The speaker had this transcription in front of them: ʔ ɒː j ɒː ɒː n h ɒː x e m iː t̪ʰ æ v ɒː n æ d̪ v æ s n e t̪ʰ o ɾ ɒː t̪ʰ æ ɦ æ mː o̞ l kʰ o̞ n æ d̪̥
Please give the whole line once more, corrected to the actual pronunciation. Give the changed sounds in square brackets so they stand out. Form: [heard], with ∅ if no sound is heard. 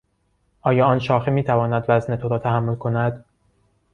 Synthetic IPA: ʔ ɒː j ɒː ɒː n [ʃ] ɒː x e m iː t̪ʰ æ v ɒː n æ d̪ v æ [z] n e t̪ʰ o ɾ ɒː t̪ʰ æ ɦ æ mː o̞ l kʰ o̞ n æ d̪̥